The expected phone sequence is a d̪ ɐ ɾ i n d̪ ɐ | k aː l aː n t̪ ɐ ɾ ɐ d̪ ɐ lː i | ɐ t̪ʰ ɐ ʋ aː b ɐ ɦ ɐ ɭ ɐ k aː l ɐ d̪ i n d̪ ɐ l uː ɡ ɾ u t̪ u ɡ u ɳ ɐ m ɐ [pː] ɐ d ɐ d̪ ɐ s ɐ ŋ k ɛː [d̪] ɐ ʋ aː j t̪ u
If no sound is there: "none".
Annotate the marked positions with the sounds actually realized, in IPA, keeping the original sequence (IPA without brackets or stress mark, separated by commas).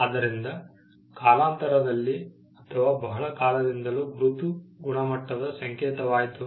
ʈː, t̪